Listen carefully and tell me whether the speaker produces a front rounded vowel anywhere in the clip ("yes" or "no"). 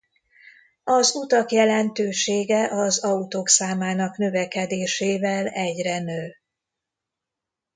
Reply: yes